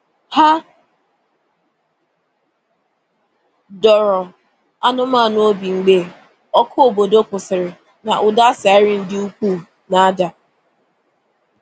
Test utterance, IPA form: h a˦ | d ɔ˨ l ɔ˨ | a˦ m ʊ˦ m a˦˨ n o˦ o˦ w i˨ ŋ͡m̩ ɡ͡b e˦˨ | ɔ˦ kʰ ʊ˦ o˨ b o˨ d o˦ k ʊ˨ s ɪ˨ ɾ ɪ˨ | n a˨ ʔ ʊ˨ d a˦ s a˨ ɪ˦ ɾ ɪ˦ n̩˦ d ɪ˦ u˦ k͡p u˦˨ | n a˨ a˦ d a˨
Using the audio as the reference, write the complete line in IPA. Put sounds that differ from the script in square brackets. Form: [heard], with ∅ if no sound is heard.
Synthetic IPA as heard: h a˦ | d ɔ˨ [ɾ] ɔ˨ | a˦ [n] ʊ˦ m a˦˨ n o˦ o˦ [b] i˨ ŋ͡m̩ ɡ͡b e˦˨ | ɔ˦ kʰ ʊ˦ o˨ b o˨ d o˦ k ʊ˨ s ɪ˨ ɾ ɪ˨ | n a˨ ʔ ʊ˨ d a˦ s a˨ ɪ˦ ɾ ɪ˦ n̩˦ d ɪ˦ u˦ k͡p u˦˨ | n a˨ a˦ d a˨